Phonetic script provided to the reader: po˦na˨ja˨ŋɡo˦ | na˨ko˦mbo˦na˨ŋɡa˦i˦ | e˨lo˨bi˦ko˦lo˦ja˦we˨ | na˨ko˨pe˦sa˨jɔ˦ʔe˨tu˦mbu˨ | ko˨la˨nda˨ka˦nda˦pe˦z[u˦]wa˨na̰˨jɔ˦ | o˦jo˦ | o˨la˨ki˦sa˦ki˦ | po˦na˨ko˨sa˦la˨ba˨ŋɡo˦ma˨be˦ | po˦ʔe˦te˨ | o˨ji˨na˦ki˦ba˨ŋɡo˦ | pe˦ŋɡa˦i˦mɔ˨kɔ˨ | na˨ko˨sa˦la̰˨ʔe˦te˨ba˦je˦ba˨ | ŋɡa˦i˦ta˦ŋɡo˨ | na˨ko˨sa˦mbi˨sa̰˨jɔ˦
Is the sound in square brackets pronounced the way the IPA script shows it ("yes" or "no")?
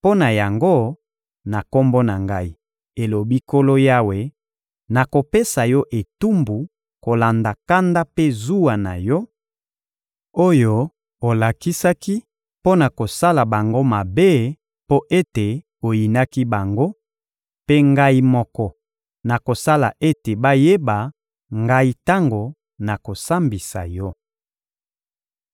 yes